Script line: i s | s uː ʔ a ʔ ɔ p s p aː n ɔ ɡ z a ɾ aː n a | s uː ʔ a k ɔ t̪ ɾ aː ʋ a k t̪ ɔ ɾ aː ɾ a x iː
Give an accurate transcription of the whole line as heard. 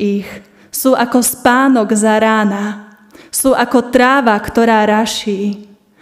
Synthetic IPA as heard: i x | s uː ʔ a k ɔ s p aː n ɔ ɡ z a ɾ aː n a | s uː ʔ a k ɔ t̪ ɾ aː ʋ a k t̪ ɔ ɾ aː ɾ a ʃ iː